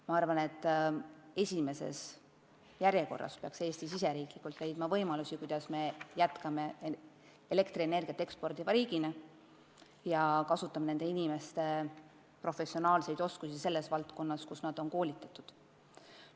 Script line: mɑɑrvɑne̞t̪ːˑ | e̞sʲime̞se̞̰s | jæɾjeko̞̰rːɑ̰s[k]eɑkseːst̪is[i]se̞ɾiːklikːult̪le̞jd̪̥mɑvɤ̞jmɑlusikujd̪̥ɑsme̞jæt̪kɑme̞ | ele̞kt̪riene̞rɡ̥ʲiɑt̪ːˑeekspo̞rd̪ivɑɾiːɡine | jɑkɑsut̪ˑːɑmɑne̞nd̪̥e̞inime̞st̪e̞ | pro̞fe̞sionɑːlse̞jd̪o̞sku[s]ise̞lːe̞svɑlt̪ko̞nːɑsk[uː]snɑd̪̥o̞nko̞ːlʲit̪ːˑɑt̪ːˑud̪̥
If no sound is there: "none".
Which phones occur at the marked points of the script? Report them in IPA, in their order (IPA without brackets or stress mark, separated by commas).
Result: p, i, s, u